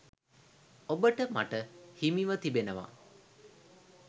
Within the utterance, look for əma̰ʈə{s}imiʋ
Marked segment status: incorrect: h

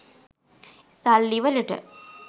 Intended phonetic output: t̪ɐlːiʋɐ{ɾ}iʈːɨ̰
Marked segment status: incorrect: l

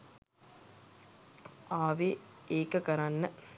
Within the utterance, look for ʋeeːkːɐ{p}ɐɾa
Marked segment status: incorrect: k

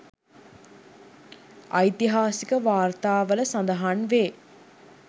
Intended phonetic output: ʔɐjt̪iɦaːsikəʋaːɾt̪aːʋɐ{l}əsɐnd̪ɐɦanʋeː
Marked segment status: correct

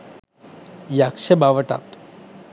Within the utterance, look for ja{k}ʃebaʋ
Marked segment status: correct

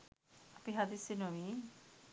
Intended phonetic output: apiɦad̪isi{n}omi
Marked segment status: correct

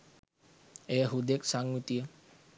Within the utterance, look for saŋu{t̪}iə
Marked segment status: correct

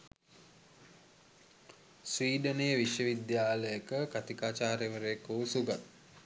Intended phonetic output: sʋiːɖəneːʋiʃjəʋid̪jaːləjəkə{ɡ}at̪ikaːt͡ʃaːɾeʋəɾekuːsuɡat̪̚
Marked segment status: incorrect: k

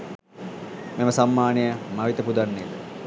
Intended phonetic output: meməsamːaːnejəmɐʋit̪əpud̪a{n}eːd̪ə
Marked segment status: incorrect: nː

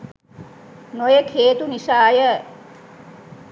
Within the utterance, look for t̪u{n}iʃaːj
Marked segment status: correct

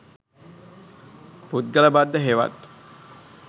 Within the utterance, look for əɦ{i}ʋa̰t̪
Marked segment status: incorrect: e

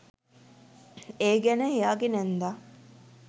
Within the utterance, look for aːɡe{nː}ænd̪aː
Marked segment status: incorrect: n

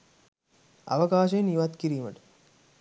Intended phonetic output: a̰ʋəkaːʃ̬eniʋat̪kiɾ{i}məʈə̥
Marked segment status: incorrect: iː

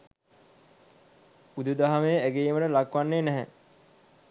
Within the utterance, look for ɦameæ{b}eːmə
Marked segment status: incorrect: ɡ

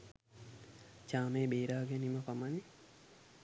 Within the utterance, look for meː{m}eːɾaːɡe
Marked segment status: incorrect: b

